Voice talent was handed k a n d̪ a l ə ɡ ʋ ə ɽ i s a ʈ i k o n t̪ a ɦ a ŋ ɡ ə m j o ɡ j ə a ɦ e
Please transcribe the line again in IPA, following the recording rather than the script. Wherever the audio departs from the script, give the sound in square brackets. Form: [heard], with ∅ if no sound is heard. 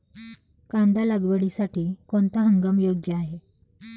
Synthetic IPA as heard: k a n d̪ a l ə ɡ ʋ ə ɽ i s a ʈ [iː] k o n t̪ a ɦ [ə] ŋ ɡ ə m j o ɡ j ə a ɦ e